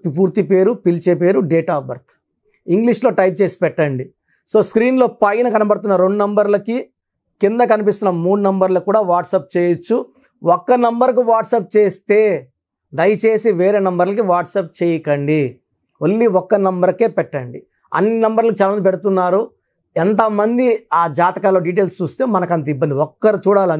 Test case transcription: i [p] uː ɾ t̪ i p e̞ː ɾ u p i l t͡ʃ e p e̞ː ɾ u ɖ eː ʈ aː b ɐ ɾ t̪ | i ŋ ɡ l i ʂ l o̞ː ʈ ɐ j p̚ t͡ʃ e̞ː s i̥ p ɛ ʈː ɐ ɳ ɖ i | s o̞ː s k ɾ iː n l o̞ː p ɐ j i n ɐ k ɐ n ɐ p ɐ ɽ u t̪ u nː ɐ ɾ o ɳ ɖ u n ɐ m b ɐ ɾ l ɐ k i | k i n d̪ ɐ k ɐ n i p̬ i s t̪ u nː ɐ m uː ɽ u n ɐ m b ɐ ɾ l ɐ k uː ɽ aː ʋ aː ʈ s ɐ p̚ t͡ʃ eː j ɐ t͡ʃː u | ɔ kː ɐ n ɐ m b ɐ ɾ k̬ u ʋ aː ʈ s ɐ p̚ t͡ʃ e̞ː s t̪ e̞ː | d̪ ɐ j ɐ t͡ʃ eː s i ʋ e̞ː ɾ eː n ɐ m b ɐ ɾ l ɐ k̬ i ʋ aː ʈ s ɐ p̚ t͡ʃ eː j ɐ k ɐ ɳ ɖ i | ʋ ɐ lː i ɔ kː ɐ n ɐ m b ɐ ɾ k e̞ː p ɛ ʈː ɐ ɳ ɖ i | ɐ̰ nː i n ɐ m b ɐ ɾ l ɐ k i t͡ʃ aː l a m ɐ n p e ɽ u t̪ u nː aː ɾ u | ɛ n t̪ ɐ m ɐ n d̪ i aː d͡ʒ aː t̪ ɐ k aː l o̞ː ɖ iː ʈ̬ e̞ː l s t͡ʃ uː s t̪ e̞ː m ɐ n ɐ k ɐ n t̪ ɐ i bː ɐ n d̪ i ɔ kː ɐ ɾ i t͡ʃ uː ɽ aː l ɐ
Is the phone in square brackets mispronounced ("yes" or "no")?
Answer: no